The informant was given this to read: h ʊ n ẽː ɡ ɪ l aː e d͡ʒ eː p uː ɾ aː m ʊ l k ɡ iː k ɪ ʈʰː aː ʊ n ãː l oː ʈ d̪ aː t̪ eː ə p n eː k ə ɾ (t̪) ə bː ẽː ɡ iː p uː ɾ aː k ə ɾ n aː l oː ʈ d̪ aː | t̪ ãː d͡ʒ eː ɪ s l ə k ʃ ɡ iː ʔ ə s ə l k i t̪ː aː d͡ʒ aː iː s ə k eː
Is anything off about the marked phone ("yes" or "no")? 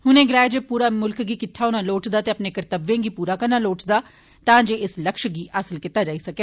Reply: no